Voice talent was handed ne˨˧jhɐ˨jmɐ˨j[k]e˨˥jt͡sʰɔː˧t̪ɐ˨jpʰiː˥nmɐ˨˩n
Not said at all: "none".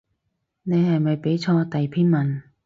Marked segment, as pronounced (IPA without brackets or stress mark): p